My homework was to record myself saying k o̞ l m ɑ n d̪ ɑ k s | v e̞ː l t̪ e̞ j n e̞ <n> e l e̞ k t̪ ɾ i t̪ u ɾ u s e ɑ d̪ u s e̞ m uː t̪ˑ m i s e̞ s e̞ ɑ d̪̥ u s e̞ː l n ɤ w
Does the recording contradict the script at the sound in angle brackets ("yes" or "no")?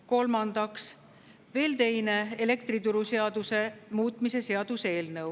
yes